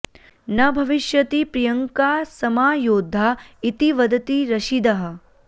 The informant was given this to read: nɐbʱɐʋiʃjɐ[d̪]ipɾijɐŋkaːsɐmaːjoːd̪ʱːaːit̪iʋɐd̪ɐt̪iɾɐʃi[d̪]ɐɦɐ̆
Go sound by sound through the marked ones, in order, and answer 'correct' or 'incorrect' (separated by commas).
incorrect, correct